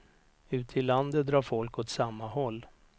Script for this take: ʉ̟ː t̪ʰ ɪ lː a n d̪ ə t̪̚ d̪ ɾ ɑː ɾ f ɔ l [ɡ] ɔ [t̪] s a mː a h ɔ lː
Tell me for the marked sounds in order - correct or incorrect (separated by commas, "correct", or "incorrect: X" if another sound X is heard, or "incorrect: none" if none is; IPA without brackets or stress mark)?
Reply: incorrect: k, correct